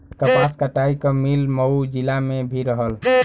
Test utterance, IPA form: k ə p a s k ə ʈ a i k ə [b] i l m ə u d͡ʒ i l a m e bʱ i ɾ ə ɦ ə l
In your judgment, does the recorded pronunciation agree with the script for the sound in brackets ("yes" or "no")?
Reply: no